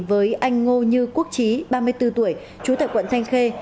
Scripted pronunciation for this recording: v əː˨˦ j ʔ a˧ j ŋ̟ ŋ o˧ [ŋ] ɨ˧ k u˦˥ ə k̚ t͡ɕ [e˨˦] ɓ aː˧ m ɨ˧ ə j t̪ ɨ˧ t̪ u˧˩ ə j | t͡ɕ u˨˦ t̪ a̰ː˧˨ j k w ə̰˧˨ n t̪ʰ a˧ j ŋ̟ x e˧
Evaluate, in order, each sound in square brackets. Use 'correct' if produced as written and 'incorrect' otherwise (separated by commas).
incorrect, incorrect